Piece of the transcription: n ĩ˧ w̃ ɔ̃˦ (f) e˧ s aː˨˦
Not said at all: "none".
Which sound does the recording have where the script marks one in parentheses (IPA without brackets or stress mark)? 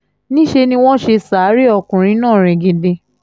ʃ